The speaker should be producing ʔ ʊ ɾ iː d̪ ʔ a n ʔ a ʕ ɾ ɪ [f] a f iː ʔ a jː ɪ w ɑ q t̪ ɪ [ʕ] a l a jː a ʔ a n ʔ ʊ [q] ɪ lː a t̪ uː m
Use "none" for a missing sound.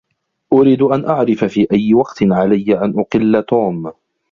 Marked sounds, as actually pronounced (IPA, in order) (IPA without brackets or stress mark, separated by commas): f, ʕ, q